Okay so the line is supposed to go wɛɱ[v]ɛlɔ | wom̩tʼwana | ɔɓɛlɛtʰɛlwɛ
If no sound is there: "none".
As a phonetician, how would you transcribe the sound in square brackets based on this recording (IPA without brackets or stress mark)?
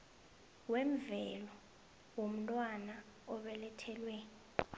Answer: v